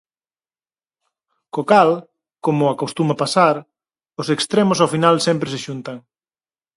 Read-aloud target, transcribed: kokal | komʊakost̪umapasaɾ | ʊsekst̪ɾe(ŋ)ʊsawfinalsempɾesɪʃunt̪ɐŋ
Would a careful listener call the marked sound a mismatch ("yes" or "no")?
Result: yes